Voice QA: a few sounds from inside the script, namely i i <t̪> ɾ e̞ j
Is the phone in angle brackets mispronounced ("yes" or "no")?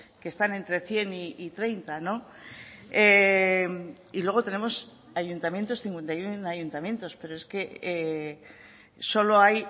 no